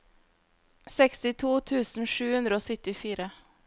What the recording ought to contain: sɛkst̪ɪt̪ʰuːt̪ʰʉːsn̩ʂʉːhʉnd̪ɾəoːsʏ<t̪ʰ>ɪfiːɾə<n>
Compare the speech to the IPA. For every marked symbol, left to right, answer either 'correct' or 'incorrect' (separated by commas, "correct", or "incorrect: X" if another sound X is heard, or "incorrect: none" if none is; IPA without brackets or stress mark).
incorrect: t̪, incorrect: none